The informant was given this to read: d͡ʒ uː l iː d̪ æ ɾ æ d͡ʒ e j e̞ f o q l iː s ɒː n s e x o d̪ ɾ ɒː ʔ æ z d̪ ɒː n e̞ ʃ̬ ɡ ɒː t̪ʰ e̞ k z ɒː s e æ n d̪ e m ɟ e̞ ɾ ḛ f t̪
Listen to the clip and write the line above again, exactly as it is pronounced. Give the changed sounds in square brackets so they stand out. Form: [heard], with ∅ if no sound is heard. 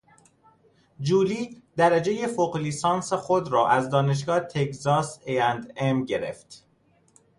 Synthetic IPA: d͡ʒ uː l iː d̪ æ ɾ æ d͡ʒ e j e̞ f o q l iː s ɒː n s e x o d̪ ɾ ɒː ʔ æ z d̪ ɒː n e̞ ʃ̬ ɡ ɒː t̪ʰ e̞ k z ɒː s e æ n d̪ e m ɟ e̞ ɾ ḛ f t̪